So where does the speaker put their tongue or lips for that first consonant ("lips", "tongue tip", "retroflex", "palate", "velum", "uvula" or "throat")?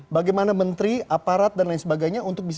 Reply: lips